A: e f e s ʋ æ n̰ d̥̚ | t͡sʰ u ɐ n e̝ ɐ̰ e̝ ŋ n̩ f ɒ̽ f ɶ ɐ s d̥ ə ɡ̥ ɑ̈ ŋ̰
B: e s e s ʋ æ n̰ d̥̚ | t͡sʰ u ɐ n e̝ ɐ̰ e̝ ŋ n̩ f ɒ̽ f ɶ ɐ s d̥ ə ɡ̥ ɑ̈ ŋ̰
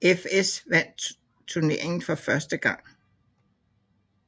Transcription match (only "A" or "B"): A